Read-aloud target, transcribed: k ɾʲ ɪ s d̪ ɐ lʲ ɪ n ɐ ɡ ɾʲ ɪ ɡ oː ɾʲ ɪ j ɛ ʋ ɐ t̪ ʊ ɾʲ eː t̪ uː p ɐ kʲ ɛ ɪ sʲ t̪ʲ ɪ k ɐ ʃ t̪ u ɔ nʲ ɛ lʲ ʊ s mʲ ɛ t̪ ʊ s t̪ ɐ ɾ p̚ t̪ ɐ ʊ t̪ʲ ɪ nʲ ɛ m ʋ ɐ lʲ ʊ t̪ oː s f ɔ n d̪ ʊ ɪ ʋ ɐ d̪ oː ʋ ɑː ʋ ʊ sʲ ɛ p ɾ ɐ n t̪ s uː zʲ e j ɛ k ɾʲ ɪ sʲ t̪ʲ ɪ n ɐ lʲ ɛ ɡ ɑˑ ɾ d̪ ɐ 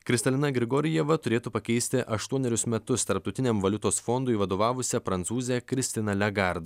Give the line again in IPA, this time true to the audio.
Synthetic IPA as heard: k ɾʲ ɪ s t̪ ɐ lʲ ɪ n ɐ ɡ ɾʲ ɪ ɡ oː ɾʲ ɪ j ɛ ʋ ɐ t̪ ʊ ɾʲ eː t̪ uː p ɐ kʲ ɛ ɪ sʲ t̪ʲ ɪ ʔ ɐ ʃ t̪ u ɔ nʲ ɛ ɾʲ ʊ s mʲ ɛ t̪ ʊ s t̪ ɐ ɾ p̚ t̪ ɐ ʊ t̪ʲ ɪ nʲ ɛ m ʋ ɐ lʲ ʊ t̪ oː s f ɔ n d̪ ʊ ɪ ʋ ɐ d̪ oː ʋ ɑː ʋ ʊ sʲ ɛ p ɾ ɐ n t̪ s uː zʲ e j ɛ k ɾʲ ɪ sʲ t̪ʲ ɪ n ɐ lʲ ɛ ɡ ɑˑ ɾ d̪ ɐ

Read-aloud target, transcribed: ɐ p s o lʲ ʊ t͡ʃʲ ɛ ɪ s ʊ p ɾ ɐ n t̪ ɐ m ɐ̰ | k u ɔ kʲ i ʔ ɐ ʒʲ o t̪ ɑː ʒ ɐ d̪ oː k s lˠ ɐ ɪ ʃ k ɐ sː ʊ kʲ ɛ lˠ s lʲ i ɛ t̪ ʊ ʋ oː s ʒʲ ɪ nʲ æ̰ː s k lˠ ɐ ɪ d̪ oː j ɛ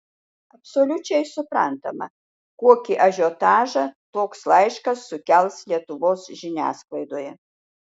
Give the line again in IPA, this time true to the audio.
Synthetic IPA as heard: ɐ p s o lʲ ʊ t͡ʃʲ ɛ ɪ s ʊ p ɾ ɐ n t̪ ɐ m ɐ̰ | k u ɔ kʲ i ʔ ɐ ʒʲ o t̪ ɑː ʒ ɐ t̪ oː k s lˠ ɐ ɪ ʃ k ɐ sː ʊ kʲ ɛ lˠ s lʲ i ɛ t̪ ʊ ʋ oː s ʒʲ ɪ nʲ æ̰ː s k lˠ ɐ ɪ d̪ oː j ɛ

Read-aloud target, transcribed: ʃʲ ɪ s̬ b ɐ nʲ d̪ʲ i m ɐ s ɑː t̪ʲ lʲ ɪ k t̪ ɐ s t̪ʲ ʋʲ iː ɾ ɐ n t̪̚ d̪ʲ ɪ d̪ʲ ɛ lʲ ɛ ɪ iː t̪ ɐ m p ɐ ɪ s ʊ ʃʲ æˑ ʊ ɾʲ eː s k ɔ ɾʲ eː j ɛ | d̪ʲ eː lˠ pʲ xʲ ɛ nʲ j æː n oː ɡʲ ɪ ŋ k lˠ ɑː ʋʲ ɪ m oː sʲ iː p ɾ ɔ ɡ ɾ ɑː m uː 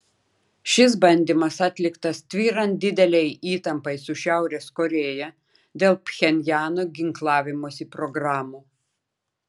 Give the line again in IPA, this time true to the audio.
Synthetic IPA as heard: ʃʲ ɪ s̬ b ɐ nʲ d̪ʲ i m ɐ s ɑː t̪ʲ lʲ ɪ k t̪ ɐ s t̪ʲ ʋʲ iː ɾ ɐ n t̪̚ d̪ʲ ɪ d̪ʲ ɛ lʲ ɛ ɪ iː t̪ ɐ m p ɐ ɪ s ʊ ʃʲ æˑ ʊ ɾʲ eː s k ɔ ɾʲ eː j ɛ | d̪ʲ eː lˠ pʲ xʲ ɛ nʲ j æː n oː ɡʲ ɪ ŋ k lˠ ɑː ʋʲ ɪ m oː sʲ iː p ɾ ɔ ɡ ɾ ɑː m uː

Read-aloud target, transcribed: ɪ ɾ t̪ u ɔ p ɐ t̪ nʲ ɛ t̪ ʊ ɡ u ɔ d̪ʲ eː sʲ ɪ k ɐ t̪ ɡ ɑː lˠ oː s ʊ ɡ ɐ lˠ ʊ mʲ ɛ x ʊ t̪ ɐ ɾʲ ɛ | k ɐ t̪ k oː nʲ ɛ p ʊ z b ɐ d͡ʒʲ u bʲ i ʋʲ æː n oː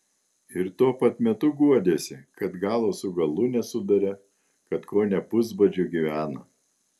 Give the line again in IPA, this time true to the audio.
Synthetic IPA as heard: ɪ ɾ t̪ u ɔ p ɐ t̪ mʲ ɛ t̪ ʊ ɡ u ɔ d̪ʲ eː sʲ ɪ k ɐ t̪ ɡ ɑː lˠ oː s ʊ ɡ ɐ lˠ ʊ nʲ ɛ s ʊ d̪ ɐ ɾʲ ɛ | k ɐ t̪ k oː nʲ ɛ p ʊ z b ɐ d͡ʒʲ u ɡʲ i ʋʲ æː n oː

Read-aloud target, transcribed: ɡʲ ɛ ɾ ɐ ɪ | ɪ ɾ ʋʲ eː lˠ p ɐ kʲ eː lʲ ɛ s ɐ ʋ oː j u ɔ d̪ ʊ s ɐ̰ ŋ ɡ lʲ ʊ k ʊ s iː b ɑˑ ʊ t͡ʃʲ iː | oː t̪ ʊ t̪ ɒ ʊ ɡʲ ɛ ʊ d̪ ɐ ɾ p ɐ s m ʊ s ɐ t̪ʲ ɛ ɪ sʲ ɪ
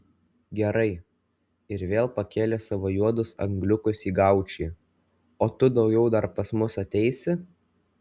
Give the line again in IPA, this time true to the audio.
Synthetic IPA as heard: ɡʲ ɛ ɾ ɐ ɪ | ɪ ɾ ʋʲ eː lˠ p ɐ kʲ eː lʲ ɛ s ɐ ʋ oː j u ɔ d̪ ʊ s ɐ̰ ŋ ɡ lʲ ʊ k ʊ s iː ɡ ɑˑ ʊ t͡ʃʲ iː | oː t̪ ʊ d̪ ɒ ʊ ɡʲ ɛ ʊ d̪ ɐ ɾ p ɐ s m ʊ s ɐ t̪ʲ ɛ ɪ sʲ ɪ

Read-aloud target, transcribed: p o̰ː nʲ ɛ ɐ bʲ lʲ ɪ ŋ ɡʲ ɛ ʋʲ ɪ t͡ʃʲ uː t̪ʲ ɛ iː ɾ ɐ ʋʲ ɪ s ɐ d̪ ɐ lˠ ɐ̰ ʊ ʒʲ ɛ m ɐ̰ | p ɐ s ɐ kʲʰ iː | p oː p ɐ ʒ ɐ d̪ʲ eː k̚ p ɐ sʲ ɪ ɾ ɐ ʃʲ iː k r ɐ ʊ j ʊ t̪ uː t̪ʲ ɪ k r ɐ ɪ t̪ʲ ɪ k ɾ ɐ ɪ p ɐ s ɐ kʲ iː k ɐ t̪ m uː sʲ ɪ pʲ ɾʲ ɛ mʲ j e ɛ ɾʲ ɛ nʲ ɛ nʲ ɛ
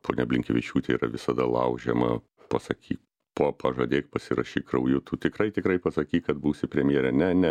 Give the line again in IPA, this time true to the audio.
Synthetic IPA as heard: p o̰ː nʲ ɛ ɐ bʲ lʲ ɪ ŋ kʲ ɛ ʋʲ ɪ t͡ʃʲ uː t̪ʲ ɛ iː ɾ ɐ ʋʲ ɪ s ɐ d̪ ɐ lˠ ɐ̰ ʊ ʒʲ ɛ m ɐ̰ | p ɐ s ɐ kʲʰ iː | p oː p ɐ ʒ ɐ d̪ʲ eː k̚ p ɐ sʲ ɪ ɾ ɐ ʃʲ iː k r ɐ ʊ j ʊ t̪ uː t̪ʲ ɪ k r ɐ ɪ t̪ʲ ɪ k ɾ ɐ ɪ p ɐ s ɐ kʲ iː k ɐ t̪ b uː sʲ ɪ pʲ ɾʲ ɛ mʲ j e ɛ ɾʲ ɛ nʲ ɛ nʲ ɛ

